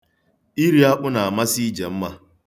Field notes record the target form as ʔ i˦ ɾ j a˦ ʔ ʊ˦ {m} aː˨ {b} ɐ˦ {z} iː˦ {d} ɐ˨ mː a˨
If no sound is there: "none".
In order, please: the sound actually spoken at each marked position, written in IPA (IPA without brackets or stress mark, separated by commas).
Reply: n, m, s, d͡ʒ